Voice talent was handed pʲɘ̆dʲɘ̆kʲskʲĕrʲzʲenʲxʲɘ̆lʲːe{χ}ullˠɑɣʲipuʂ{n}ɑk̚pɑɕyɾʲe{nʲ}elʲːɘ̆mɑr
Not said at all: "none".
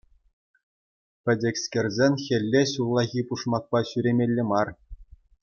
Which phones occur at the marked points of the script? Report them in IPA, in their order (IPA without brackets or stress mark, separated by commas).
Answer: ɕ, m, mʲ